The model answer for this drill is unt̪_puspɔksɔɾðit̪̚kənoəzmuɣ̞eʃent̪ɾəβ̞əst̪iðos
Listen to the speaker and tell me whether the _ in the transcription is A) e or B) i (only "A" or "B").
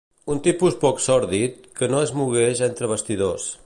B